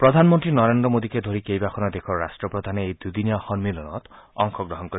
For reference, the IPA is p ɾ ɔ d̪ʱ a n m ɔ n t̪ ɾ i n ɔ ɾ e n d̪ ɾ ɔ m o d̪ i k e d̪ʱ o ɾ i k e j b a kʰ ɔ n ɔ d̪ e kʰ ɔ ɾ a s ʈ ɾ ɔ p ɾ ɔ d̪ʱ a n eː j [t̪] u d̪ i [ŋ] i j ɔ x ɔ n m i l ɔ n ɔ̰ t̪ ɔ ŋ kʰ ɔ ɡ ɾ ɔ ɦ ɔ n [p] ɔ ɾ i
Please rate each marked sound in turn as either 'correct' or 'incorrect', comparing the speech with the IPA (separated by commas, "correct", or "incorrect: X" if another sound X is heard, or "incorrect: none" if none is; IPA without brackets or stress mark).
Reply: incorrect: d̪, incorrect: n, incorrect: k